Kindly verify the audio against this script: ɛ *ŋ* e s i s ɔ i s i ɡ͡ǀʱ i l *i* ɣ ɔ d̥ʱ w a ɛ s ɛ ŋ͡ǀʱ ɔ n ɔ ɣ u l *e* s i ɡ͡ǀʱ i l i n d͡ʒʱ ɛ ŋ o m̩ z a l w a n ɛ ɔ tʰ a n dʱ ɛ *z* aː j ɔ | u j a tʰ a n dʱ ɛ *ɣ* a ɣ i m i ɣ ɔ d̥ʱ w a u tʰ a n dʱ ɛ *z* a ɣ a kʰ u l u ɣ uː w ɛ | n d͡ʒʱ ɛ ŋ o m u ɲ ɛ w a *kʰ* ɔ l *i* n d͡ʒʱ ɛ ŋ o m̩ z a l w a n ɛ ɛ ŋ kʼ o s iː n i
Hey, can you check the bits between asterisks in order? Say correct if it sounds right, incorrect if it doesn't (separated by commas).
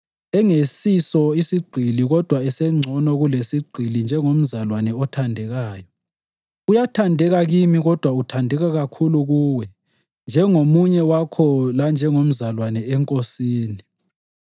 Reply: correct, correct, correct, incorrect, correct, incorrect, correct, incorrect